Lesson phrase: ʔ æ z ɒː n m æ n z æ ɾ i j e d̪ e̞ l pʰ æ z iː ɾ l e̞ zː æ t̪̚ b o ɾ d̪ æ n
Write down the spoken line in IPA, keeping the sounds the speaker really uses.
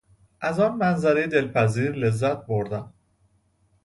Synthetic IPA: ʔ æ z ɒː n m æ n z æ ɾ e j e d̪ e̞ l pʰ æ z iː ɾ l e̞ zː æ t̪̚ b o ɾ d̪ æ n